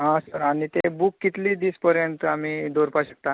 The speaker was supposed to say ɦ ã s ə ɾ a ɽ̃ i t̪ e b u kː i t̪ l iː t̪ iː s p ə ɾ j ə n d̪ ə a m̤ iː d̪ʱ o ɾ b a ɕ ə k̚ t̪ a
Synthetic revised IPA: ɦ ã s ə ɾ a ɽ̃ i t̪ e b u kː i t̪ l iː d̪ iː s p ə ɾ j ə n t̪ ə a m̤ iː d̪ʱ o ɾ p a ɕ ə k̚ t̪ a